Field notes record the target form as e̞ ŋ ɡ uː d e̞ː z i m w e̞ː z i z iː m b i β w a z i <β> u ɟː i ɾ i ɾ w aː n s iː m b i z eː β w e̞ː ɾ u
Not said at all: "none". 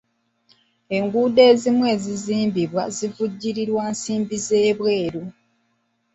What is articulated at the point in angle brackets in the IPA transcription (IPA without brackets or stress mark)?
v